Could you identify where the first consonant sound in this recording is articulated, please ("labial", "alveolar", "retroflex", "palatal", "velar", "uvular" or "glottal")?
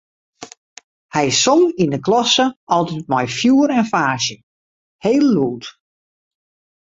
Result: glottal